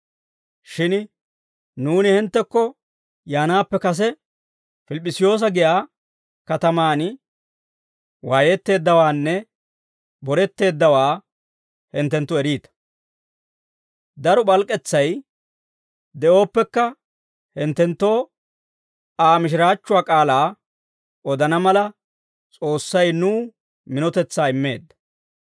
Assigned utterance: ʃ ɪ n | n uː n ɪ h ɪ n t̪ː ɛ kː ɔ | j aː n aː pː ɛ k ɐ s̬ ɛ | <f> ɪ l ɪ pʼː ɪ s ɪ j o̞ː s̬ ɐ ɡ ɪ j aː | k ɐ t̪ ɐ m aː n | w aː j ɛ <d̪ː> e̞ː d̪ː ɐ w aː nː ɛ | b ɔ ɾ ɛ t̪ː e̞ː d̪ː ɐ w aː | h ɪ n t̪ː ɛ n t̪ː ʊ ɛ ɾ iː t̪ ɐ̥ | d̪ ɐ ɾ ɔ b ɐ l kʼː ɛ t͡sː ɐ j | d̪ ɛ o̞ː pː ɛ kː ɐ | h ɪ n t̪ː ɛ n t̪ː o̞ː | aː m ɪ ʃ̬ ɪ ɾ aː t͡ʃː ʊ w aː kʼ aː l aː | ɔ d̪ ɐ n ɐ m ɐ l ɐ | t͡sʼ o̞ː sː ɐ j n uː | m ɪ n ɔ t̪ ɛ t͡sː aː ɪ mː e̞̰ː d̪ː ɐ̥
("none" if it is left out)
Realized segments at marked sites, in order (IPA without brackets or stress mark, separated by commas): f, t̪ː